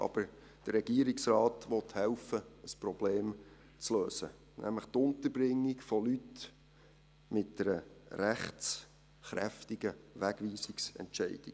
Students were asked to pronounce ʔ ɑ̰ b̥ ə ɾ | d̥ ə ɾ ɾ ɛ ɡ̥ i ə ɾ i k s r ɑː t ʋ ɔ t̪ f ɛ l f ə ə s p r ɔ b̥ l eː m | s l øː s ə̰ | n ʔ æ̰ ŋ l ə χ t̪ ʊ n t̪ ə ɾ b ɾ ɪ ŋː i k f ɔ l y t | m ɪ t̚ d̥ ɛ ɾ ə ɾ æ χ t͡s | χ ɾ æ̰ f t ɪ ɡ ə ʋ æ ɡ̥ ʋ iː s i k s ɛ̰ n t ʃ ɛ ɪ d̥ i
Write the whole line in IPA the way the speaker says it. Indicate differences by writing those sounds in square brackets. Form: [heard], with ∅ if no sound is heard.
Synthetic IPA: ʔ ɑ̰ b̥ ə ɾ | d̥ ə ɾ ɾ ɛ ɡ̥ i ə ɾ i k s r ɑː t ʋ ɔ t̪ [h] ɛ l f ə ə s p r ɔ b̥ l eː m | [t͡s] l øː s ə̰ | n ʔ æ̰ [m] l ə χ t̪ ʊ n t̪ ə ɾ b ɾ ɪ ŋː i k f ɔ l y t | m ɪ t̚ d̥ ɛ ɾ ə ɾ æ χ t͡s | χ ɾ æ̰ f t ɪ ɡ ə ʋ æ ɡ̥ ʋ iː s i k s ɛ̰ n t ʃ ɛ ɪ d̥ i